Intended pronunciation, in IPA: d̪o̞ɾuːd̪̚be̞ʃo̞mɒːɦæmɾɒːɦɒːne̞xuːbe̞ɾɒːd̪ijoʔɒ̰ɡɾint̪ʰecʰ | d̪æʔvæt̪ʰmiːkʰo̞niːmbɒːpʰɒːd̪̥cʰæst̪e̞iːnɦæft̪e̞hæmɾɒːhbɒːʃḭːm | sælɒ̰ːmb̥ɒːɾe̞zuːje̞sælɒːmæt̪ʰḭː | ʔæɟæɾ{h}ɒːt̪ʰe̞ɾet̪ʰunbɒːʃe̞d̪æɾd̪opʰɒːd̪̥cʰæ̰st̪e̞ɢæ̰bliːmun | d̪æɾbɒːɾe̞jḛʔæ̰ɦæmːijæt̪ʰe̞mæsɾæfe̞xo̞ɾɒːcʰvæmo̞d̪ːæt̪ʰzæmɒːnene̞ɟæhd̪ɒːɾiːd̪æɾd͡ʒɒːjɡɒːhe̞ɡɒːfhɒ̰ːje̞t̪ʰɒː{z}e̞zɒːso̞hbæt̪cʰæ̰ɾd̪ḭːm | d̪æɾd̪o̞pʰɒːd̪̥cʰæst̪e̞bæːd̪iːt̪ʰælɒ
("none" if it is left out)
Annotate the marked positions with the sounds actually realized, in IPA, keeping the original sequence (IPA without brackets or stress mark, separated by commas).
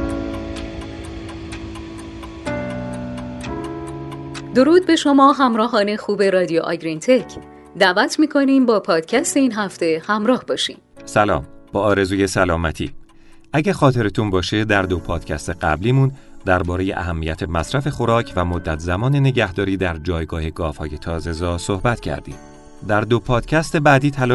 x, z